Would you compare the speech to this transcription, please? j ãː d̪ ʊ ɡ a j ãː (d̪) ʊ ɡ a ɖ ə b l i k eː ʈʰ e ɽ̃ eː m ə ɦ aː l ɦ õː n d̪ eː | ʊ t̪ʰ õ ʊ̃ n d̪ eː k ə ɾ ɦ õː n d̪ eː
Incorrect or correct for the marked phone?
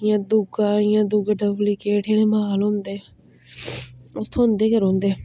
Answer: correct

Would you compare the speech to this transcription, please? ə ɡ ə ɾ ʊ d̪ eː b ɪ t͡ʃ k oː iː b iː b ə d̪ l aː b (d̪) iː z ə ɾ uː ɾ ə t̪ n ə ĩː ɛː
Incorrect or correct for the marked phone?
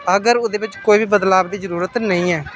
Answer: correct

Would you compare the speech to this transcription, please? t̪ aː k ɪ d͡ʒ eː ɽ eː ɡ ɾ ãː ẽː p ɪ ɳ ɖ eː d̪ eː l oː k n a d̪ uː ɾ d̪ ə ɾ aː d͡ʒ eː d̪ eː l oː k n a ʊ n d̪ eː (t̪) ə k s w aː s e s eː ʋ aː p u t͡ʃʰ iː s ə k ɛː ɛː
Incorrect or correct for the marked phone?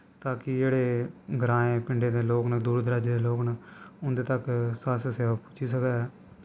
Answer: correct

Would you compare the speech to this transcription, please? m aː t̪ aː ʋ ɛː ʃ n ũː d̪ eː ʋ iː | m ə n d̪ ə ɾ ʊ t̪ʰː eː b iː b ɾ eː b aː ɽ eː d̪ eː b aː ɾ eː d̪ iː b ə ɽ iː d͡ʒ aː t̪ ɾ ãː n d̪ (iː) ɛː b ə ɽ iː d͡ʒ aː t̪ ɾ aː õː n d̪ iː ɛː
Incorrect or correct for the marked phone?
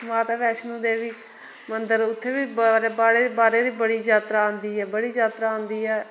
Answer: correct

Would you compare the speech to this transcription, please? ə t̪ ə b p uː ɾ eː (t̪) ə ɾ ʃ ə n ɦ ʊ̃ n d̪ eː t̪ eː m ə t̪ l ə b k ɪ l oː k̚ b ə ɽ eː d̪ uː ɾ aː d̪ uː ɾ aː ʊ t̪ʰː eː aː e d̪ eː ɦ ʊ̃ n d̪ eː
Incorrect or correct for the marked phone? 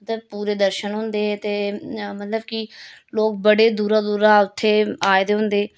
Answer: incorrect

